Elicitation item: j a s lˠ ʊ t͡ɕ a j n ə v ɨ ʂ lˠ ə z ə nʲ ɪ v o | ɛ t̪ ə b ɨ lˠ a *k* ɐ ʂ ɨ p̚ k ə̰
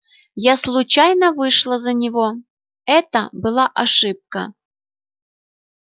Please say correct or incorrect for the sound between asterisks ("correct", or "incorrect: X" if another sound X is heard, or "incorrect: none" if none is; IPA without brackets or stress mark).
incorrect: ʔ